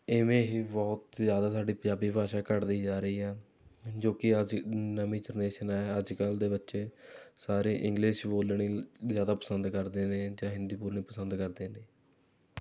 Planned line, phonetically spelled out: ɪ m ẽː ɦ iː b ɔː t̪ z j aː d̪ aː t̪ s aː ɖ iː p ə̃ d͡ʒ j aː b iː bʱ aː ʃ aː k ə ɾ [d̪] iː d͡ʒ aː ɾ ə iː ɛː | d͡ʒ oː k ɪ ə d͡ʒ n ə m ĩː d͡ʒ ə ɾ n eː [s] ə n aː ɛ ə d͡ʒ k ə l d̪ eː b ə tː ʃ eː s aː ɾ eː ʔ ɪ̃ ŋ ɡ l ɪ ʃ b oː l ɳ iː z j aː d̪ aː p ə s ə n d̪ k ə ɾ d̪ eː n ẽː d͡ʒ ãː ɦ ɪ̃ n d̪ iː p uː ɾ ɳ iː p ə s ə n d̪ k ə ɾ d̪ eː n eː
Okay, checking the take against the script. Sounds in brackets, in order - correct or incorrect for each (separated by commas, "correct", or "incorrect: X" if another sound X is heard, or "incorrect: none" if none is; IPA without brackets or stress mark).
correct, incorrect: ʃ